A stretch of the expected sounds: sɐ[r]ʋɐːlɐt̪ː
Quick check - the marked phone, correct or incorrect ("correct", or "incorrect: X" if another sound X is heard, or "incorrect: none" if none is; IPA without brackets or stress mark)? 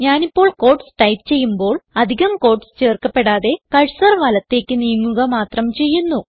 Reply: correct